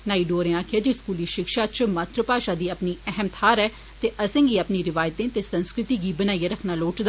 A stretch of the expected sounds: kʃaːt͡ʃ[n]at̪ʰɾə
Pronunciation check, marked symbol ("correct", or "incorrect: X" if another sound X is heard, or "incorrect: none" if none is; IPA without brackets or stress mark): incorrect: m